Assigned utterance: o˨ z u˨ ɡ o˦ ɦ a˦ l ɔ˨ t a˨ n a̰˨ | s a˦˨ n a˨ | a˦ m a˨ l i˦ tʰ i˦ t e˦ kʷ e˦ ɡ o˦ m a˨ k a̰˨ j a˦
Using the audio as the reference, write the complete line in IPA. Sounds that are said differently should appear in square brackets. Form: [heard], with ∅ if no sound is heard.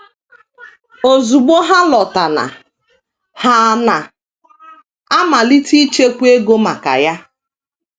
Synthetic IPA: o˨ z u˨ [ɡ͡b] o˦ ɦ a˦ l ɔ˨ t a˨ n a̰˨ | [h] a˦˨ n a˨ | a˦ m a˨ l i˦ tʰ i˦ [t͡ʃ] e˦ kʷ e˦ ɡ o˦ m a˨ k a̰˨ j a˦

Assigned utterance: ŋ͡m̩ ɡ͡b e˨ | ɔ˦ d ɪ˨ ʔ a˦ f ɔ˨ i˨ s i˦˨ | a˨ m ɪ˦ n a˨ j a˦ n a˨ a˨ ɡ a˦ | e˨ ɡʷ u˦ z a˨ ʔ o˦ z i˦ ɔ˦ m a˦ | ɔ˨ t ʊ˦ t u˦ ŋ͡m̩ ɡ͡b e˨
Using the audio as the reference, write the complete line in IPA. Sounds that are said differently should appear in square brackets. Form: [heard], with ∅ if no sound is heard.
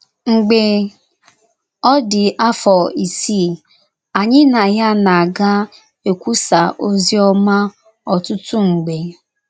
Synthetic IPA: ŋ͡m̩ ɡ͡b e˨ | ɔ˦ d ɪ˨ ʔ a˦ f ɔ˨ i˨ s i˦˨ | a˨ [ɲ] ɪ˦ n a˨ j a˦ n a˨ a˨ ɡ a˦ | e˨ [kʷ] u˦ [s] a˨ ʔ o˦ z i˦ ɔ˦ m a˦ | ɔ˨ t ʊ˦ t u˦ ŋ͡m̩ ɡ͡b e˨

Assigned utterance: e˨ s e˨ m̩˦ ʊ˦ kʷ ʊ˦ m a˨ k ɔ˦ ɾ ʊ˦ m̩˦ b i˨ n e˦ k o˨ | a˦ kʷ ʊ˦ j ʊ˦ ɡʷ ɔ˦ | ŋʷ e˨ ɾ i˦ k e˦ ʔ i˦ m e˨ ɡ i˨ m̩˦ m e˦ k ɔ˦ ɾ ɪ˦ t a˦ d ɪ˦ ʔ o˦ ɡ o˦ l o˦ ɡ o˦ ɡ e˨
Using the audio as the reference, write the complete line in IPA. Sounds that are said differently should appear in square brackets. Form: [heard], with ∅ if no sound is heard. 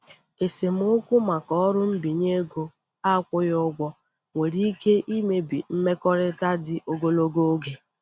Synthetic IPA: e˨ s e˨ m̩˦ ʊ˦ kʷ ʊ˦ m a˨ k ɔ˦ ɾ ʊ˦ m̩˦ b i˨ [ɲ] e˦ [ɡ] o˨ | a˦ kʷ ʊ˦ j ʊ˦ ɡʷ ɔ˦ | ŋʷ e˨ ɾ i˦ k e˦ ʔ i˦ m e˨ [b] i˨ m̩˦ m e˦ k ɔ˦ ɾ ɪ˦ t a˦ d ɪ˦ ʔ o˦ ɡ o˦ l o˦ ɡ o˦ ɡ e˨

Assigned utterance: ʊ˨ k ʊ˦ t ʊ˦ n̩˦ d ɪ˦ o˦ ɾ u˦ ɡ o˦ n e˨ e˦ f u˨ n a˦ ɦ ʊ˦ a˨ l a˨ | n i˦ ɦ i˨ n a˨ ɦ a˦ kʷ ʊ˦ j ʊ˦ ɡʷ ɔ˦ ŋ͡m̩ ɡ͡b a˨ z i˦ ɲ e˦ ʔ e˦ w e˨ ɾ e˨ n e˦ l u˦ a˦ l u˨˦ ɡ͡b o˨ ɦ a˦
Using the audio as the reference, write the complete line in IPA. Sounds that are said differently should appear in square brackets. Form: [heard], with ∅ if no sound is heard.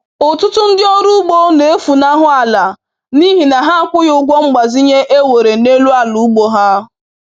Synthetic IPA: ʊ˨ [t] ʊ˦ t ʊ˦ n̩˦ d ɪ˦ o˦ ɾ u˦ [ɡ͡b] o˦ n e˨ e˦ f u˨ n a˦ ɦ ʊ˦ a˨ l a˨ | n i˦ ɦ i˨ n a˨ ɦ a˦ kʷ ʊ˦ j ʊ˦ ɡʷ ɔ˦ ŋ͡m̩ ɡ͡b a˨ z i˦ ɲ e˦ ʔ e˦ w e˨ ɾ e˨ n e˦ l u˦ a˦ l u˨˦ ɡ͡b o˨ ɦ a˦

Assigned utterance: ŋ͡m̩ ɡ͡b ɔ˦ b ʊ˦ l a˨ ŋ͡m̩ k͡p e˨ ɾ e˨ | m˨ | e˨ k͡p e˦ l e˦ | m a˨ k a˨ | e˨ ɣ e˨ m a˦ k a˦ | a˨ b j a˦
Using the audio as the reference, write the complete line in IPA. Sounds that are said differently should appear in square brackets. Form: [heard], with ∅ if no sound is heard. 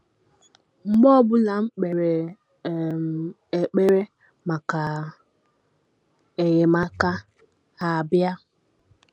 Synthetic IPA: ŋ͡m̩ ɡ͡b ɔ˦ b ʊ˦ l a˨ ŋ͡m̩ k͡p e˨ ɾ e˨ | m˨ | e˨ k͡p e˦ [ɾ] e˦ | m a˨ k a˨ | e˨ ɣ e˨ m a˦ k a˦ | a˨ b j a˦

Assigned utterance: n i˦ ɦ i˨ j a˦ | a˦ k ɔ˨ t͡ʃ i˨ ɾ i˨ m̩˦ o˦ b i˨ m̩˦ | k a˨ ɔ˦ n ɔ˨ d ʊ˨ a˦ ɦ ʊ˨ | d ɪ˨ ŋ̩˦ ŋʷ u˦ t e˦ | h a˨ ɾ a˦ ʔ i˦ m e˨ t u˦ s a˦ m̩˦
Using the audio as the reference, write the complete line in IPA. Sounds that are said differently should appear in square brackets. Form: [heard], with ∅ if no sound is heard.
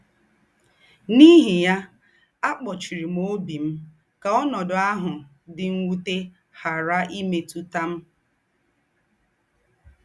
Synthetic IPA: n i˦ ɦ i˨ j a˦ | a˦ [k͡p] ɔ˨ t͡ʃ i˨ ɾ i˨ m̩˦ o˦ b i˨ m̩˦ | k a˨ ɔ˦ n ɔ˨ d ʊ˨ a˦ ɦ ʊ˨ | d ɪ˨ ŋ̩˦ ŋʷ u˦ t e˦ | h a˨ ɾ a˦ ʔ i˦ m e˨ t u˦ [t] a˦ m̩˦

